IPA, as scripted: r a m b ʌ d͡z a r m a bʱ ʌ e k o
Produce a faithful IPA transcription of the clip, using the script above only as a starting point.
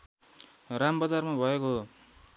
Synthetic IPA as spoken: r a m b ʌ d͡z a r m a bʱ ʌ e k o